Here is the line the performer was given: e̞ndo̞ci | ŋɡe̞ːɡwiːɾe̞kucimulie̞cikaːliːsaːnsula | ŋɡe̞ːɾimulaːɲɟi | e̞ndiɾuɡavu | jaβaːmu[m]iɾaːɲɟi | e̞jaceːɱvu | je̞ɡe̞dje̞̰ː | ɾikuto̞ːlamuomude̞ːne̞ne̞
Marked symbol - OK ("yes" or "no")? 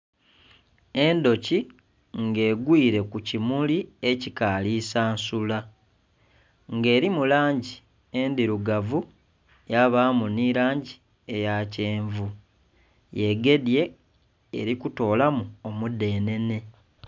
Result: no